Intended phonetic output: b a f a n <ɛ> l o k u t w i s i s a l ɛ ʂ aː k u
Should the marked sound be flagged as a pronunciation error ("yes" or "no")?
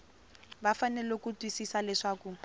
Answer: no